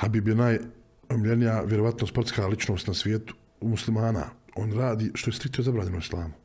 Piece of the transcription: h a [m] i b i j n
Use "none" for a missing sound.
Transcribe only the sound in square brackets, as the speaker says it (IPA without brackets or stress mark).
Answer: b